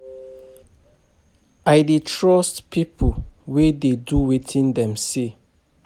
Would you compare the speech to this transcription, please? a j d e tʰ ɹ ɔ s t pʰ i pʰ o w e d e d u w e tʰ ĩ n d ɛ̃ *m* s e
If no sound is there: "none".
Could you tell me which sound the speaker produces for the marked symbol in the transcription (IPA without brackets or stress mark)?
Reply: m